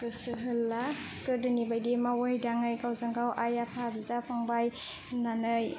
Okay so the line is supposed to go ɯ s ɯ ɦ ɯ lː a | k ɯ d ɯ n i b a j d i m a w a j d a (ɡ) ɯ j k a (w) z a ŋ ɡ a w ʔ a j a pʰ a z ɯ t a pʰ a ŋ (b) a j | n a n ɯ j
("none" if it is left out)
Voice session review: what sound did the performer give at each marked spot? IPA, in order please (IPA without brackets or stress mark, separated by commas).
ŋ, w, b